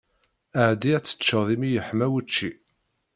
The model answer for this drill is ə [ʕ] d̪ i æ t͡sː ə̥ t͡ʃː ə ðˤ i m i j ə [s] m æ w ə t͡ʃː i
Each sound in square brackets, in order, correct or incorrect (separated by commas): correct, incorrect